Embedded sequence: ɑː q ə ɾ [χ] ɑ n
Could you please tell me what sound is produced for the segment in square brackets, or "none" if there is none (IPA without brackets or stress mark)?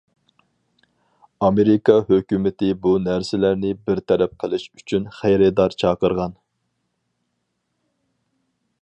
ʁ